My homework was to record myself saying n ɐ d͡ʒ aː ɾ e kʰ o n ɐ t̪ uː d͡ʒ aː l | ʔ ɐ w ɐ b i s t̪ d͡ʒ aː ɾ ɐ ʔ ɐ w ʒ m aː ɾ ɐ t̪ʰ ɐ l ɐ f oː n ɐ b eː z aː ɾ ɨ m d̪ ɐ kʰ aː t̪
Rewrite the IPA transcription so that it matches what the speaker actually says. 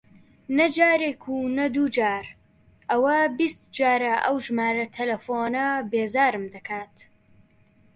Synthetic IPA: n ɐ d͡ʒ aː ɾ e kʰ u n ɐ d̪ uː d͡ʒ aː ɾ | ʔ ɐ w ɐ b i s t̪ d͡ʒ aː ɾ ɐ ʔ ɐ w ʒ m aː ɾ ɐ t̪ʰ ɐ l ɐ f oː n ɐ b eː z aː ɾ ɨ m d̪ ɐ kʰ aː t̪

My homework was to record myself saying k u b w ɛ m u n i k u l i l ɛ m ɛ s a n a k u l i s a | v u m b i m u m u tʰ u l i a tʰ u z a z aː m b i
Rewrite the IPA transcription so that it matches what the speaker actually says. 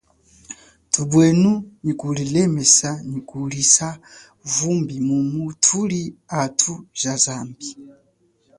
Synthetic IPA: t u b w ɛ n u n i k u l i l ɛ m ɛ s a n i k u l i s a | v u m b i m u m u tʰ u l i a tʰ u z a z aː m b i

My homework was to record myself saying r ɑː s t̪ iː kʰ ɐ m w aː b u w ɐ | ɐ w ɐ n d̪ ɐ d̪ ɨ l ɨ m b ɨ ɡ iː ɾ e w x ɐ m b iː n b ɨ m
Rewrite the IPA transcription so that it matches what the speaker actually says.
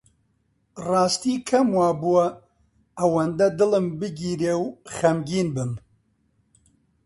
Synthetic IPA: r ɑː s t̪ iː kʰ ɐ m w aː b u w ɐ | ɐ w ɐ n d̪ ɐ d̪ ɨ l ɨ m b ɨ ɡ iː ɾ e w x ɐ m ɡ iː n b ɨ m

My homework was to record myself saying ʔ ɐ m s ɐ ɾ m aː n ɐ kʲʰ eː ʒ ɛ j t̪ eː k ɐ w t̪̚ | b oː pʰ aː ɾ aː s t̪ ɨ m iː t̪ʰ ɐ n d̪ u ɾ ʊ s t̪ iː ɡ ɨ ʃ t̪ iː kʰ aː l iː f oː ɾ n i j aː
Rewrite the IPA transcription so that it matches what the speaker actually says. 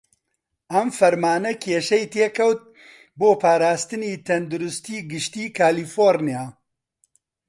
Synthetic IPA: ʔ ɐ m f ɐ ɾ m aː n ɐ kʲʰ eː ʃ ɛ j t̪ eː k ɐ w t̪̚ | b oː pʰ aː ɾ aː s t̪ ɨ n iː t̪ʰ ɐ n d̪ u ɾ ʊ s t̪ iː ɡ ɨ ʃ t̪ iː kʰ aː l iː f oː ɾ n i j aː

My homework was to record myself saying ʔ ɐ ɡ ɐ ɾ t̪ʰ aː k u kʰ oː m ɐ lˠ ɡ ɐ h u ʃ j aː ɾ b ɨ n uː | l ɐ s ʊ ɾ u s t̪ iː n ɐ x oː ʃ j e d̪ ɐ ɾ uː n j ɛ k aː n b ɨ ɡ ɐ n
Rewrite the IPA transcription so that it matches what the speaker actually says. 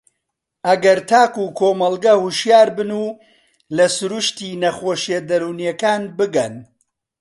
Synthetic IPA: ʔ ɐ ɡ ɐ ɾ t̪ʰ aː k u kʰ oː m ɐ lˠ ɡ ɐ h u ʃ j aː ɾ b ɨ n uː | l ɐ s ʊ ɾ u ʃ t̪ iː n ɐ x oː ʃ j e d̪ ɐ ɾ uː n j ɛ k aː n b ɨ ɡ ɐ n

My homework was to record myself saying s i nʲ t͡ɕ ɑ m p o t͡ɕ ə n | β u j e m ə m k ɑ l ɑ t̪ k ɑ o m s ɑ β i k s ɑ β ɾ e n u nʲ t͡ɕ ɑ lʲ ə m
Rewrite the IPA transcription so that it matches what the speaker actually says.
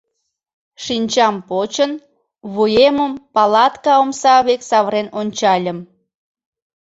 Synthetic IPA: ʃ i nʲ t͡ɕ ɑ m p o t͡ɕ ə n | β u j e m ə m p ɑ l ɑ t̪ k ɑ o m s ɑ β e k s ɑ β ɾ e n o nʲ t͡ɕ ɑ lʲ ə m

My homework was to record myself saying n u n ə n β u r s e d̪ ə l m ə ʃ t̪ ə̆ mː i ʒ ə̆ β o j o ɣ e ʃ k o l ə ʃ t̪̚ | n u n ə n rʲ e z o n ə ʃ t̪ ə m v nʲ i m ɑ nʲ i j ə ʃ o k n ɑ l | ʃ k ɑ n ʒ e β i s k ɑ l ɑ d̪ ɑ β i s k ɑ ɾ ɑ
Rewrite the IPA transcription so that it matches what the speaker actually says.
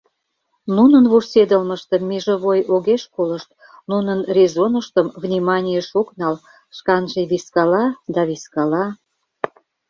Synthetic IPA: n u n ə n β u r s e d̪ ə l m ə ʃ t̪ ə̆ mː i ʒ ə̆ β o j o ɣ e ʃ k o l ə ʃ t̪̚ | n u n ə n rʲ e z o n ə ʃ t̪ ə m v nʲ i m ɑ nʲ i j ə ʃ o k n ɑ l | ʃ k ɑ n ʒ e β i s k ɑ l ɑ d̪ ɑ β i s k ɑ l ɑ

